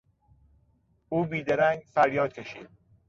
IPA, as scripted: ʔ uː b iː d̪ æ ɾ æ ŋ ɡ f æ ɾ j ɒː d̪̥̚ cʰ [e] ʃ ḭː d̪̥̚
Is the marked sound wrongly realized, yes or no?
no